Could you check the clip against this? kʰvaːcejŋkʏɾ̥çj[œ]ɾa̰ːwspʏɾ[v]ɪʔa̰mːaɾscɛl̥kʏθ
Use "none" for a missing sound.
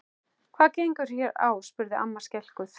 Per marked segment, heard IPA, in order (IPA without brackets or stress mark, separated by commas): ɛ, ð